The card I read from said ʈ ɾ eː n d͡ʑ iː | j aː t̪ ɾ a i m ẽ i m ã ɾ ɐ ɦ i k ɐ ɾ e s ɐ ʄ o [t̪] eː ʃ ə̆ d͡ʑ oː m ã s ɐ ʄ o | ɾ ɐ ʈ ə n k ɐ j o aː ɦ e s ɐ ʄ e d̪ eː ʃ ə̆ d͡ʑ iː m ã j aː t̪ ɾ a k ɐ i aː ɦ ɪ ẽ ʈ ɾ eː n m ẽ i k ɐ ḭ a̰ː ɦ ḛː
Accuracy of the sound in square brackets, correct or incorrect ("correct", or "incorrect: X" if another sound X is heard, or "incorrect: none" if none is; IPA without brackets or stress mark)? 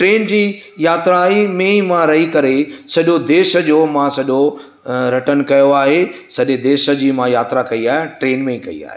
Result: incorrect: d̪